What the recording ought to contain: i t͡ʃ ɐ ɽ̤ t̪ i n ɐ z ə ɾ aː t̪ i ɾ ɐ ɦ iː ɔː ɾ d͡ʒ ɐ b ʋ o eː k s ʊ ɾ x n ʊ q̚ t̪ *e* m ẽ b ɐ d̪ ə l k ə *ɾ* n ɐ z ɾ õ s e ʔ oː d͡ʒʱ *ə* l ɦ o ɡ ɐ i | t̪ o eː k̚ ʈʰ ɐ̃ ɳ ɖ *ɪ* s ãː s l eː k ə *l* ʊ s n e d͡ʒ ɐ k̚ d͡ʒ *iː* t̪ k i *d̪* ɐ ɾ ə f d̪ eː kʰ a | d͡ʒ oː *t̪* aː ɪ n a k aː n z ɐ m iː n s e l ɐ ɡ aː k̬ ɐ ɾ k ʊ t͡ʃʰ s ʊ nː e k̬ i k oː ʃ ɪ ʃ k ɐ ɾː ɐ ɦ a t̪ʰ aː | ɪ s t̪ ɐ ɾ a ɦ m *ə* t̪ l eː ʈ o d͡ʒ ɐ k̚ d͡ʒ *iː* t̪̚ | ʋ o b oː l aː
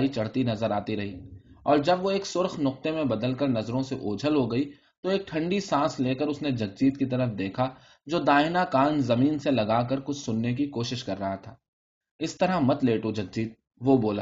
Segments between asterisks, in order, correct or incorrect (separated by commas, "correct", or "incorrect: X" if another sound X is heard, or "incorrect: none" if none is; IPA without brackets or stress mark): correct, correct, correct, incorrect: i, incorrect: ɾ, correct, incorrect: t̪, incorrect: d̪, incorrect: ɐ, correct